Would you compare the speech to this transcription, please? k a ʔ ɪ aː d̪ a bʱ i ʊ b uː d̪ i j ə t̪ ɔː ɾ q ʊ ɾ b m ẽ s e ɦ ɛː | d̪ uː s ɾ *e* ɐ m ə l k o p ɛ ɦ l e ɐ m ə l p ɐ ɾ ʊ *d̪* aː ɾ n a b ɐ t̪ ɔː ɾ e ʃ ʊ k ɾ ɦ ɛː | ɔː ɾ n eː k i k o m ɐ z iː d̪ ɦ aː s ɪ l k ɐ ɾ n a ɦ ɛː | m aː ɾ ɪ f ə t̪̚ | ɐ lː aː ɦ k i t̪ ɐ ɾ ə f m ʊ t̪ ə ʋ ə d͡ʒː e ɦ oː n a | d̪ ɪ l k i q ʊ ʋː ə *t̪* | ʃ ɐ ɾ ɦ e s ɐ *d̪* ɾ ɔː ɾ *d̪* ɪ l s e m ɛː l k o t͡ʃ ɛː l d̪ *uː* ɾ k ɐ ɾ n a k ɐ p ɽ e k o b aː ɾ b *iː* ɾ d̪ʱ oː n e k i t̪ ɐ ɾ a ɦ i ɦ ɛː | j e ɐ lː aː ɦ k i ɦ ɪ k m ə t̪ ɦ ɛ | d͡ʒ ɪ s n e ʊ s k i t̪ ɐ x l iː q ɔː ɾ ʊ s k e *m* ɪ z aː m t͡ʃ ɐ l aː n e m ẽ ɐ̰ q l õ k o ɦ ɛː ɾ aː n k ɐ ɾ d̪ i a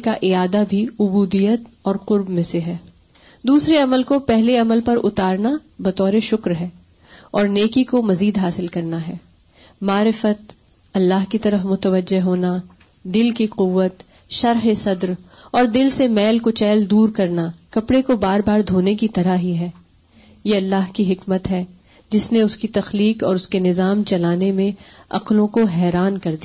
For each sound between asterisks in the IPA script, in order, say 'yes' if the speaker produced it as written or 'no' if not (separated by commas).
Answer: yes, no, yes, yes, yes, yes, no, no